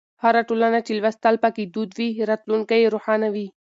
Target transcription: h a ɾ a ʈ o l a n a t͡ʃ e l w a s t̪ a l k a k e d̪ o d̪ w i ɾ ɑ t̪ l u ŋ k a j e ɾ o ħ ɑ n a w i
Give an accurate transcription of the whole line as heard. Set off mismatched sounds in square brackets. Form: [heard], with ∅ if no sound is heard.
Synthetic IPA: h a ɾ a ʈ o l a n a t͡ʃ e l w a s t̪ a l [p] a k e d̪ [u] d̪ w i ɾ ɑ t̪ l u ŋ k a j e ɾ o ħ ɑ n a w i